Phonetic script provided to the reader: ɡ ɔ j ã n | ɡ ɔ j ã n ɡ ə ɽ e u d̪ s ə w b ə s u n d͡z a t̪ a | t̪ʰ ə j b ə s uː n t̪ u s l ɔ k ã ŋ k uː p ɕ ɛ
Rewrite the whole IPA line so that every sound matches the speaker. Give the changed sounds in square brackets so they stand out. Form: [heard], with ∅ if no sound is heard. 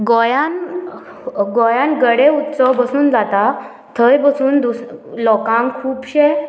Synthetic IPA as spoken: ɡ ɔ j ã n | ɡ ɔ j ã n ɡ ə ɽ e u [t̪] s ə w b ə s [uː] n d͡z a t̪ a | t̪ʰ ə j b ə s uː n [d̪] u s l ɔ k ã ŋ [kʰ] uː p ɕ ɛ